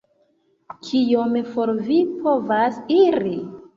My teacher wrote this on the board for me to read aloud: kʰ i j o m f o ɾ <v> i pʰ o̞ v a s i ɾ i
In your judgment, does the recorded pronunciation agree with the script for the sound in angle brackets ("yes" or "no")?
yes